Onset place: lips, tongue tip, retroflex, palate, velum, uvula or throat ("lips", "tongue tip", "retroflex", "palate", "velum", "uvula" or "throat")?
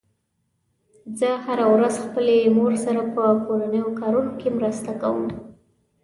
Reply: tongue tip